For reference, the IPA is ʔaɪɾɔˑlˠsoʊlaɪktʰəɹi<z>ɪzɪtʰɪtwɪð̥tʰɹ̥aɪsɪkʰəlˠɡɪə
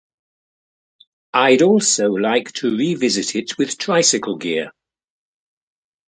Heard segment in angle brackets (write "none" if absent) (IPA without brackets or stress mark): v